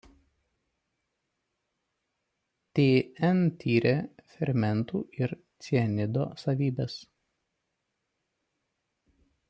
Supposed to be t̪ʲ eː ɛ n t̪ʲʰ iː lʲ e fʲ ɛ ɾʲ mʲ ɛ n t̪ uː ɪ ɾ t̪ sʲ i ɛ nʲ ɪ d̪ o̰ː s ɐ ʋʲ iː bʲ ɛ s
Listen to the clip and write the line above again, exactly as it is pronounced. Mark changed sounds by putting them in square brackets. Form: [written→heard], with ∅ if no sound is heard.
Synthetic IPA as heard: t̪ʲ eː ɛ n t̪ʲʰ iː [lʲ→ɾʲ] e fʲ ɛ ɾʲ mʲ ɛ n t̪ uː ɪ ɾ t̪ sʲ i ɛ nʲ ɪ d̪ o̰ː s ɐ ʋʲ iː bʲ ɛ s